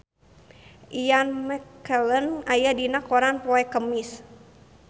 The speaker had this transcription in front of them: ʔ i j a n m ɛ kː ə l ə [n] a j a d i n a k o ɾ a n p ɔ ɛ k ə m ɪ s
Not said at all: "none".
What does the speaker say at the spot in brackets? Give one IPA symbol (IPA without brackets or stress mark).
n